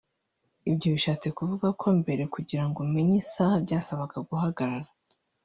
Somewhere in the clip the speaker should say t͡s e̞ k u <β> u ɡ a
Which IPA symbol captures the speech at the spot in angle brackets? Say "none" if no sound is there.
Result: v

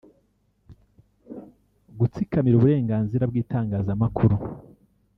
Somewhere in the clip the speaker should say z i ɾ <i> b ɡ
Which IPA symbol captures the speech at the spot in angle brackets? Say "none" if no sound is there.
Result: a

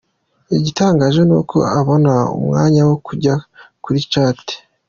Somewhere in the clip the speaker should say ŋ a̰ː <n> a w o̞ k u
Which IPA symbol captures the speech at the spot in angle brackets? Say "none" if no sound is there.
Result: ɲ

